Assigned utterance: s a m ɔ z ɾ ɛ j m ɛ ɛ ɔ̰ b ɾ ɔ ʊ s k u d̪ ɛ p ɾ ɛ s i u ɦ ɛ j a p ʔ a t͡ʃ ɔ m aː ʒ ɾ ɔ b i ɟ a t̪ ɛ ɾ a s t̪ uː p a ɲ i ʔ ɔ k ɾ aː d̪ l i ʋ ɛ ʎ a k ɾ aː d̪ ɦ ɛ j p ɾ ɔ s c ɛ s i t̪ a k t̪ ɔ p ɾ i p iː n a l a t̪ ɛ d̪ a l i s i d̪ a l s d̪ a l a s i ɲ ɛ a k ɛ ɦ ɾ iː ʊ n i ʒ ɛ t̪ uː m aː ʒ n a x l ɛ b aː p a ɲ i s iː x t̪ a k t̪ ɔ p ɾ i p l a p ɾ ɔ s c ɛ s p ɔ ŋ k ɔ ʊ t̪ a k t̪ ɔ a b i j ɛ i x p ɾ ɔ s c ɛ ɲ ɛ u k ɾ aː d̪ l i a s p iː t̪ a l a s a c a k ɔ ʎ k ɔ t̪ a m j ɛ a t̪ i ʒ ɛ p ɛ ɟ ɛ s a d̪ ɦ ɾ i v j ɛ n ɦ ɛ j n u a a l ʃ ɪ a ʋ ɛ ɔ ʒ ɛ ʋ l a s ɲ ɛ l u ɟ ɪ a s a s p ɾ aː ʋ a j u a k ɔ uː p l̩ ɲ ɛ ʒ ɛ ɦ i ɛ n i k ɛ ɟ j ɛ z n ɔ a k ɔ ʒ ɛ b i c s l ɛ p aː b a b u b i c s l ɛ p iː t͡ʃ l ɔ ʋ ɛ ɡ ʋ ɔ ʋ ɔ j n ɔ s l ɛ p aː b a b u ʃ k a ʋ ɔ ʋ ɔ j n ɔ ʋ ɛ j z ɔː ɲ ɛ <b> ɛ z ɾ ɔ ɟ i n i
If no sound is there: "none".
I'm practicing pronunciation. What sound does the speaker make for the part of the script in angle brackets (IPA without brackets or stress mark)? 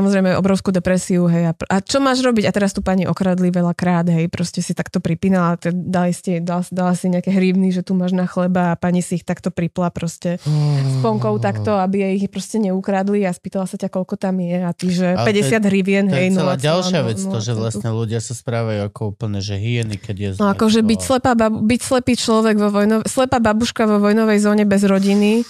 b